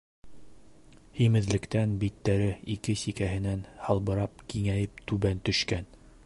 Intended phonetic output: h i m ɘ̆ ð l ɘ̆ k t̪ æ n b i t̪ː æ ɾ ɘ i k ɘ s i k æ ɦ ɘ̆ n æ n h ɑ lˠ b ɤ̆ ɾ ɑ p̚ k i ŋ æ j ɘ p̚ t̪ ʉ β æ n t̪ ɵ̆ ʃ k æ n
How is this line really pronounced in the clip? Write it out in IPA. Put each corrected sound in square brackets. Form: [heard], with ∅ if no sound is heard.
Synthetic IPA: h i m ɘ̆ ð l ɘ̆ k t̪ æ n b i t̪ː æ ɾ ɘ i k ɘ s i k æ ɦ ɘ̆ n æ n h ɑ lˠ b ɤ̆ ɾ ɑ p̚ k i ŋ æ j ɘ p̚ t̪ ʉ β æ n t̪ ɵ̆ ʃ k æ n